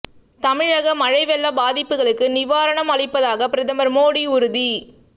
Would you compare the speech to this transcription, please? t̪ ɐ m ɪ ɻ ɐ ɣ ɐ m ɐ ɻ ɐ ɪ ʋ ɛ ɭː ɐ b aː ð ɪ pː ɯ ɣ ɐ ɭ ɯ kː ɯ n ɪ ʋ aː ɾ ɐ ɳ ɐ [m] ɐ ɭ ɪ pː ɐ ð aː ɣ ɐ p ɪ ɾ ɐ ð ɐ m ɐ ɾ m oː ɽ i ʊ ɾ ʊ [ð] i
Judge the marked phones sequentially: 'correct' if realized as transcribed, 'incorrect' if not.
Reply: correct, correct

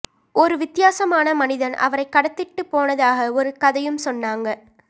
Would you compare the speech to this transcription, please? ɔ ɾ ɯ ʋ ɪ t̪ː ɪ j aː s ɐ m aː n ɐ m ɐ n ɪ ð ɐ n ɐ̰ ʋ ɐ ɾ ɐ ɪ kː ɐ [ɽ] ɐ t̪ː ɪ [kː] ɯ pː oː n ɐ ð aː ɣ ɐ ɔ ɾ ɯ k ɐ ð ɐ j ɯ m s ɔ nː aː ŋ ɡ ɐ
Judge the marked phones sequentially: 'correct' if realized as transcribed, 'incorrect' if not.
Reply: correct, incorrect: ʈː

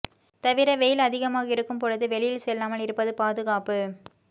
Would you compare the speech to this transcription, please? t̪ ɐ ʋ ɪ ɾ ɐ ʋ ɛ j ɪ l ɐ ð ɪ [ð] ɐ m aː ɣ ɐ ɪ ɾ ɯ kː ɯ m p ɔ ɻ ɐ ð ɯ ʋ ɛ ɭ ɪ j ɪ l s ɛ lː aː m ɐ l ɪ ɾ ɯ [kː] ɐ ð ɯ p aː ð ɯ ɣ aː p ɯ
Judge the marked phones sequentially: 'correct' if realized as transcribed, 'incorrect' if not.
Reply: incorrect: ɣ, incorrect: pː

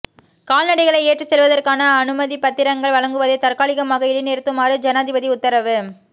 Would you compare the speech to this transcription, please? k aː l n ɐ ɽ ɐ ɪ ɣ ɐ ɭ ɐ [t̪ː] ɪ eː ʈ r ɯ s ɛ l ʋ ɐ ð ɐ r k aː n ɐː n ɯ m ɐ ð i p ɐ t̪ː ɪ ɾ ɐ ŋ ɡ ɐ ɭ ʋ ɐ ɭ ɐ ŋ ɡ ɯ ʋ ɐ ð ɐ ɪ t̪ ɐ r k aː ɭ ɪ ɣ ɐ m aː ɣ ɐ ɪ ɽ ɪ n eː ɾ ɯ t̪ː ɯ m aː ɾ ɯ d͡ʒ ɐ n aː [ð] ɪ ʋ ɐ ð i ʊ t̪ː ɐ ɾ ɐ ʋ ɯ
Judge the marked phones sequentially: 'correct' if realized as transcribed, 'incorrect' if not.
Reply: incorrect: none, correct

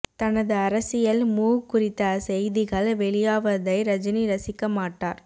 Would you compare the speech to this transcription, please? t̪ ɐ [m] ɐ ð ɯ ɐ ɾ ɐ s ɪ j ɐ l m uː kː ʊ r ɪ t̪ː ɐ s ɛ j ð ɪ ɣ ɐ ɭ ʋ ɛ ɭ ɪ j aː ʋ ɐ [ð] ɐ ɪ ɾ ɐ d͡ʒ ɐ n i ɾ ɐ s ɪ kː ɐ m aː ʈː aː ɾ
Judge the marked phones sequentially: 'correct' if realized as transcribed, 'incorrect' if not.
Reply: incorrect: n, correct

